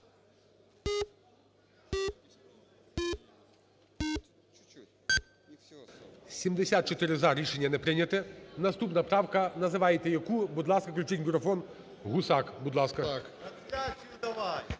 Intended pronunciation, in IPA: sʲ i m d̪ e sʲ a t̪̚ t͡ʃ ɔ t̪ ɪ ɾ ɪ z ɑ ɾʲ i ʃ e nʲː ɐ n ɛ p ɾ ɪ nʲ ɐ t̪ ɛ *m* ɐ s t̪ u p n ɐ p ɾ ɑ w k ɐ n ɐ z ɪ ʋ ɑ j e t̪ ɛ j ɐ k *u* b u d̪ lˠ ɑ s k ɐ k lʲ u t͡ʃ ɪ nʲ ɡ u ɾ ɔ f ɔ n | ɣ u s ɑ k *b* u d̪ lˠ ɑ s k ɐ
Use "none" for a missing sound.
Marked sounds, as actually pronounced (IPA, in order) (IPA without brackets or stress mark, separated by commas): n, u, b